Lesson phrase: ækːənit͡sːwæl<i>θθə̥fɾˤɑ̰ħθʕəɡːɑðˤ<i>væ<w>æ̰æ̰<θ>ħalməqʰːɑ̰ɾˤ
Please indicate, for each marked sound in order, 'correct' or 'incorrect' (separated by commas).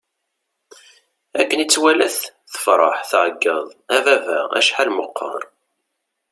incorrect, incorrect, incorrect, incorrect